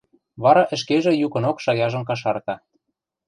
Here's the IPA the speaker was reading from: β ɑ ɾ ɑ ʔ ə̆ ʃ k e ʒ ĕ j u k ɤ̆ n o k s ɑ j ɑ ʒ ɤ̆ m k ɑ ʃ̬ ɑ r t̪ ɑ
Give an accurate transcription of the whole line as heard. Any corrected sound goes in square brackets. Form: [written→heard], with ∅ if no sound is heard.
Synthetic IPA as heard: β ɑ ɾ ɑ ʔ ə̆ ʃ k e ʒ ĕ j u k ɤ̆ n o k [s→ʃ] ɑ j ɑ ʒ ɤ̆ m k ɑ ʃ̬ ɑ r t̪ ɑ